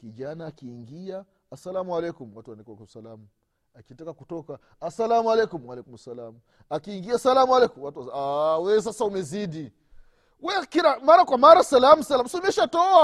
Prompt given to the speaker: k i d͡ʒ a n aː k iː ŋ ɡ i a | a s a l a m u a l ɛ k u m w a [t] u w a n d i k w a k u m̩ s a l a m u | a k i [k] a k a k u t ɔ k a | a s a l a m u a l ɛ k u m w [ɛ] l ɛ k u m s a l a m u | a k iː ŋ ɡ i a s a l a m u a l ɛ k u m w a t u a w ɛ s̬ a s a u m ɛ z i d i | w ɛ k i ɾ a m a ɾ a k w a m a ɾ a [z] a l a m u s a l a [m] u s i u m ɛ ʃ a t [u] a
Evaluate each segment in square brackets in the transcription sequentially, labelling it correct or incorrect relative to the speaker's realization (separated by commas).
correct, incorrect, incorrect, incorrect, correct, incorrect